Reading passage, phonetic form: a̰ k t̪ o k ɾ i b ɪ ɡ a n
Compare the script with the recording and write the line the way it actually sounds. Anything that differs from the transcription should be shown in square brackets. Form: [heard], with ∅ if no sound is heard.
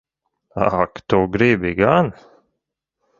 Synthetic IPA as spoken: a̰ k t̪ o [ɡ] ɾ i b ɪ ɡ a n